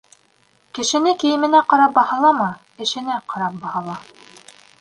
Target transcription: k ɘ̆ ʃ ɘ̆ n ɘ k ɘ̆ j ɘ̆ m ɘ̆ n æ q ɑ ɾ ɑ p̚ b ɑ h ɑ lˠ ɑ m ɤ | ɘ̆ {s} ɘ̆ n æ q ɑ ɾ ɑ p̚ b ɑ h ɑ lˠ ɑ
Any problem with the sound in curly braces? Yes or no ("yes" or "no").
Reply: yes